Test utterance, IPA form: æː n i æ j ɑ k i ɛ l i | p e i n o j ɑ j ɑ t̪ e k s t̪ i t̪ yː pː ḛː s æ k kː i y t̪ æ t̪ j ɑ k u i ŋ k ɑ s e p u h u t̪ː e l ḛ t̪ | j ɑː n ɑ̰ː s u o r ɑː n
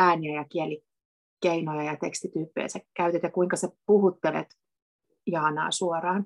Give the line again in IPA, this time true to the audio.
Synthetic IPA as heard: æː n i æ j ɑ k i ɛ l i | k e i n o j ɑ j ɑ t̪ e k s t̪ i t̪ yː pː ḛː s æ k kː æ y t̪ e t̪ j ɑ k u i ŋ k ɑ s e p u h u t̪ː e l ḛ t̪ | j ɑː n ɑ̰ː s u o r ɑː n